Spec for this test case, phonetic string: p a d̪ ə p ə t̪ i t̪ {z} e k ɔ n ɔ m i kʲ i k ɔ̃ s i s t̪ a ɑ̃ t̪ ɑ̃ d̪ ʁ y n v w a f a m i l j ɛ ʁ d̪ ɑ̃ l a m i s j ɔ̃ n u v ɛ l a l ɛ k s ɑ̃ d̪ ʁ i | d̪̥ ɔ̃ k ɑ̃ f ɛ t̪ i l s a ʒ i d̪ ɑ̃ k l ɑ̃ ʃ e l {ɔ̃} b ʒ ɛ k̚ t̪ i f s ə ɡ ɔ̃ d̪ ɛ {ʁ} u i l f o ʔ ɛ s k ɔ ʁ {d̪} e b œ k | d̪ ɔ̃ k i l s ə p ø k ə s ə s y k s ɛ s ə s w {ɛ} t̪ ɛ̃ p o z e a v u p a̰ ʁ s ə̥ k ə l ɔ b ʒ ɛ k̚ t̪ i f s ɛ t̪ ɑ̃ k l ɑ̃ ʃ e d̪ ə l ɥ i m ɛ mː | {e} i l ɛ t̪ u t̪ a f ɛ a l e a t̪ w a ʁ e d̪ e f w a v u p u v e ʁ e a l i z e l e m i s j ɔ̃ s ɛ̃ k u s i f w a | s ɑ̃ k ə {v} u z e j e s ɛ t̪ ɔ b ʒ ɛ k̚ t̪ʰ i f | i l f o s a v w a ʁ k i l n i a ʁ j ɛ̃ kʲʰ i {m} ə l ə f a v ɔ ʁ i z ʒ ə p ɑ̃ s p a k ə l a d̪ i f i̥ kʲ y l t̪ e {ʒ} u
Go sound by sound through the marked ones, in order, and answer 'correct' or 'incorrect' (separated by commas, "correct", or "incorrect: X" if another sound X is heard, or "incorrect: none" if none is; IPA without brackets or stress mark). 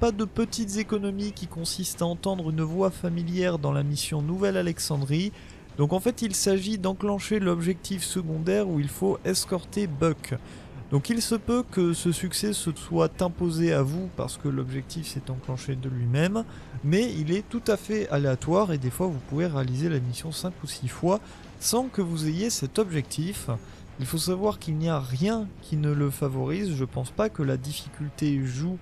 correct, incorrect: ɔ, correct, incorrect: t̪, incorrect: a, incorrect: ɛ, correct, incorrect: n, correct